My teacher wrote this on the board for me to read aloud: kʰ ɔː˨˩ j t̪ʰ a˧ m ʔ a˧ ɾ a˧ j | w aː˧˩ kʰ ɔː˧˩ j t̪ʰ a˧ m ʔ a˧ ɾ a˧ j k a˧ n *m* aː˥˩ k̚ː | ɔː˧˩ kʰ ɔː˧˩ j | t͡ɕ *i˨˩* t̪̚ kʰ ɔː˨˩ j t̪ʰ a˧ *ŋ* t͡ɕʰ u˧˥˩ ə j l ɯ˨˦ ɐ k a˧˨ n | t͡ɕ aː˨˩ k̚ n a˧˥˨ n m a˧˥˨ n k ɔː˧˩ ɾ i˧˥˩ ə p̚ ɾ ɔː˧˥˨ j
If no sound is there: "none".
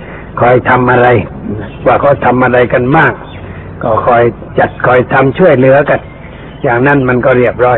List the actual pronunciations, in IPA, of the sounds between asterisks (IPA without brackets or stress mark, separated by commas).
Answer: m, a˨˩, m